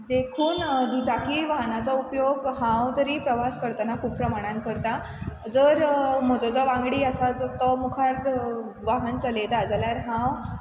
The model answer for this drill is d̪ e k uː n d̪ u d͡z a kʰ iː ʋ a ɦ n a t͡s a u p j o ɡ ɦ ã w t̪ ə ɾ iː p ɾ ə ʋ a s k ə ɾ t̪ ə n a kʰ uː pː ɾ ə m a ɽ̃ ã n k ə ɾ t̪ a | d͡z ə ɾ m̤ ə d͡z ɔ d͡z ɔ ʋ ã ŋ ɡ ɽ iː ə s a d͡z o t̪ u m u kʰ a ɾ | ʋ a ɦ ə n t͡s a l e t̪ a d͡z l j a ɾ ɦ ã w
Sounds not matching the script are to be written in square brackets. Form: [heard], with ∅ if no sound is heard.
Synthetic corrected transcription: d̪ e [kʰ] uː n d̪ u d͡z a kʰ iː ʋ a ɦ n a t͡s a u p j o ɡ ɦ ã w t̪ ə ɾ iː p ɾ ə ʋ a s k ə ɾ t̪ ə n a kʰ uː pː ɾ ə m a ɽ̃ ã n k ə ɾ t̪ a | d͡z ə ɾ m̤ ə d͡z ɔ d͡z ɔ ʋ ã ŋ ɡ ɽ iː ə s a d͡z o t̪ [ɔ] m u kʰ a ɾ | ʋ a ɦ ə n t͡s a l e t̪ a d͡z l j a ɾ ɦ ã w